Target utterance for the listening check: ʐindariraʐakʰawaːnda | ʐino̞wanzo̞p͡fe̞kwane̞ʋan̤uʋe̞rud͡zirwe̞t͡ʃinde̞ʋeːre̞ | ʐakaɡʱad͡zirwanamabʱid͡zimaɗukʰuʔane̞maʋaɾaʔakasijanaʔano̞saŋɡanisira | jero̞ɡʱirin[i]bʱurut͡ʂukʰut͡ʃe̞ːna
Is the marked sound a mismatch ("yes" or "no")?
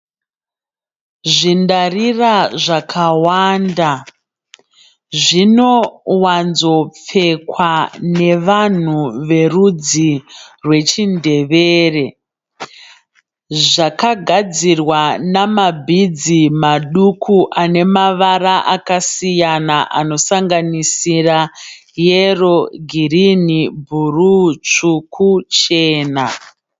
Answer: no